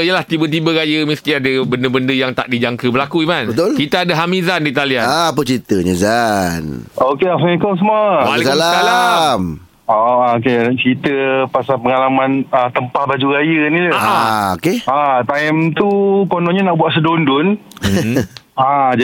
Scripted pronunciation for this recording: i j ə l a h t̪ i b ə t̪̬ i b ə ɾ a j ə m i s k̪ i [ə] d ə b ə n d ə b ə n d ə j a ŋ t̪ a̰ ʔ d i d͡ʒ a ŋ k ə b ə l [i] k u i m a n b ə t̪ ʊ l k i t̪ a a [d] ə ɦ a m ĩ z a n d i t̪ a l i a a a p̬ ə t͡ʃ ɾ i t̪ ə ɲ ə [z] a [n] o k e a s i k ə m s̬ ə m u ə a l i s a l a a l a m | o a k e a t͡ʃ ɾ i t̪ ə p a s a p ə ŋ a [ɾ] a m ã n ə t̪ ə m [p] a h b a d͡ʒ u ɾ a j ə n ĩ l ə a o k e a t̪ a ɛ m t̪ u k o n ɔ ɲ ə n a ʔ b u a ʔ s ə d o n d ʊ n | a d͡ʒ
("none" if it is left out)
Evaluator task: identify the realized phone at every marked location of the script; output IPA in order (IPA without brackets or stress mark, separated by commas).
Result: a, a, d, z, n, l, p